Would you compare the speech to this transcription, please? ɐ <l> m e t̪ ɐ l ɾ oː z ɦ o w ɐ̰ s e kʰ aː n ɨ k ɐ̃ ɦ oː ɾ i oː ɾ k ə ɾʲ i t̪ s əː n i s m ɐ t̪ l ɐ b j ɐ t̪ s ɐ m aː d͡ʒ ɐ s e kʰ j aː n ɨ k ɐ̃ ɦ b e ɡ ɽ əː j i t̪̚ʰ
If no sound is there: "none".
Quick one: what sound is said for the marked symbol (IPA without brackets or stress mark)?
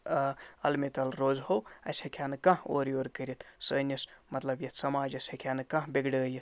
l